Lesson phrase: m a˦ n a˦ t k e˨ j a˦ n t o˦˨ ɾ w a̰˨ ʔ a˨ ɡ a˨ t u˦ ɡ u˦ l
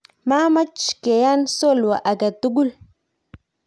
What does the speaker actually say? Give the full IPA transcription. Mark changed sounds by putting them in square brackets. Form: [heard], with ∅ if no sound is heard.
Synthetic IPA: m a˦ [m] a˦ [t͡ʃ] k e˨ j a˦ n [s] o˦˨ [l] w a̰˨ ʔ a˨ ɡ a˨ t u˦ ɡ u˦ l